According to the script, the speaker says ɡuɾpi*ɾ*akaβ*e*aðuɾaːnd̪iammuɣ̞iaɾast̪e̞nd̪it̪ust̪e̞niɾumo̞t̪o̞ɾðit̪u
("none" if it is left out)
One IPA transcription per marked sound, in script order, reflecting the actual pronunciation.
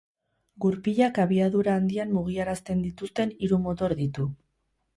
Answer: ʎ, i

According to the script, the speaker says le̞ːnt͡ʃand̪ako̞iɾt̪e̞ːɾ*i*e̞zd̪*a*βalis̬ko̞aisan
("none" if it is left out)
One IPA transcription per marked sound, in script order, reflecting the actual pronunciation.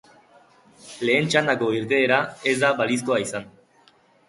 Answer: a, a

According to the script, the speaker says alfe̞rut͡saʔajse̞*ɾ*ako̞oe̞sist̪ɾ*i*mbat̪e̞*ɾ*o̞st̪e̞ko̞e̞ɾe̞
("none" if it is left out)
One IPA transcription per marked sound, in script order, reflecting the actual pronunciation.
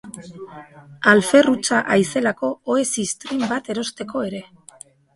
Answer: l, i, ɾ

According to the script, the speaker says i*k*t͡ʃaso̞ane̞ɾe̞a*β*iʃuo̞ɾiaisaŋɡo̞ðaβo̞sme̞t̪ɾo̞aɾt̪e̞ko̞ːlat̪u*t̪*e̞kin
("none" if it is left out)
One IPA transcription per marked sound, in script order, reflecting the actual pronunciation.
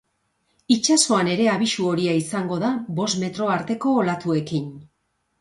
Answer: none, β, none

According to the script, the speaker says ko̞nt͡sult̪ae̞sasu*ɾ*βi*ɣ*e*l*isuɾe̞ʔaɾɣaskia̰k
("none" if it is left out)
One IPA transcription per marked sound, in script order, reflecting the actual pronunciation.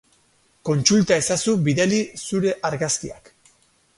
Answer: none, ð, l

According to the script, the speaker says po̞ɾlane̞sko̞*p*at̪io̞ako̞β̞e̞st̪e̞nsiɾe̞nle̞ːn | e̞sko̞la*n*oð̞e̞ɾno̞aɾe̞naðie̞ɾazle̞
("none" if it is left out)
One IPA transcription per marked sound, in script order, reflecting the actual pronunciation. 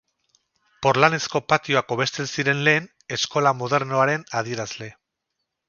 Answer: p, m

